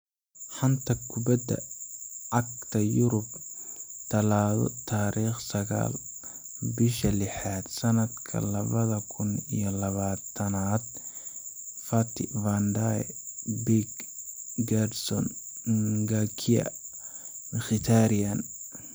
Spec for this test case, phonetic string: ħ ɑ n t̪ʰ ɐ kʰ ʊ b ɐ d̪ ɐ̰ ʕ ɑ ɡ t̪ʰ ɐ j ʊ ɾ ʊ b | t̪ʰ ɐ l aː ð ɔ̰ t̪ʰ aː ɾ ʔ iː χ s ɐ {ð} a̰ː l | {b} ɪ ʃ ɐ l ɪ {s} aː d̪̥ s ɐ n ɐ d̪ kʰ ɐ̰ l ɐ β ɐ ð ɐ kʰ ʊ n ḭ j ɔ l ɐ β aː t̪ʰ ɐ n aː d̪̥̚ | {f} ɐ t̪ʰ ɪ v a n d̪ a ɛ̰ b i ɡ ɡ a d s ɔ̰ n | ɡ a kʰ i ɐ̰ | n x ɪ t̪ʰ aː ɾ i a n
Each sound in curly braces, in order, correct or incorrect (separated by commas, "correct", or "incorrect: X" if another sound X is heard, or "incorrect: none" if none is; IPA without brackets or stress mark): incorrect: ɣ, correct, incorrect: ħ, correct